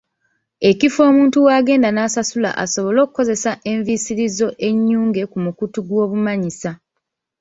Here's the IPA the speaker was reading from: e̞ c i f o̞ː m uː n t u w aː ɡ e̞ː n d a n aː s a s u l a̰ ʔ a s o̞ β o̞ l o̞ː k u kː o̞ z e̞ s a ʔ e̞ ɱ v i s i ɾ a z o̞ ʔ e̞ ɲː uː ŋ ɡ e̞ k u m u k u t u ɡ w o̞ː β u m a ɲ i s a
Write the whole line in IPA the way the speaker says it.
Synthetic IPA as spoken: e̞ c i f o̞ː m uː n t u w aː ɡ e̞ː n d a n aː s a s u l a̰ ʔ a s o̞ β o̞ l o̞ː k u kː o̞ z e̞ s a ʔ e̞ ɱ v i s i ɾ i z o̞ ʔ e̞ ɲː uː ŋ ɡ e̞ k u m u k u t u ɡ w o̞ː β u m a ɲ i s a